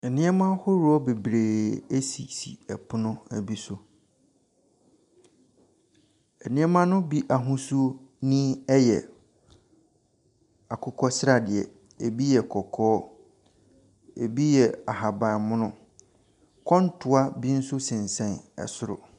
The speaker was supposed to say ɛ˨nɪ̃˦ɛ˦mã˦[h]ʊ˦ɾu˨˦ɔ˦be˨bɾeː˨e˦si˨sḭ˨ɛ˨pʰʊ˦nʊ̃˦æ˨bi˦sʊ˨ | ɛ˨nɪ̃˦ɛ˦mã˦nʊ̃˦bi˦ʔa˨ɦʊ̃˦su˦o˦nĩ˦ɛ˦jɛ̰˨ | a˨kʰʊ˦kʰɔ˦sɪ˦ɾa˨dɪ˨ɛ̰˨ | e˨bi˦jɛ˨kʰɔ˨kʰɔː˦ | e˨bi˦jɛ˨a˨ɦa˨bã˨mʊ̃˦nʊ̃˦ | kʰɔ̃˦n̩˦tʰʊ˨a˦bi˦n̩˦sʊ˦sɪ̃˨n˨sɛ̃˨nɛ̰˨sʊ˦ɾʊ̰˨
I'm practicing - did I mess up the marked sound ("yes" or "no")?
no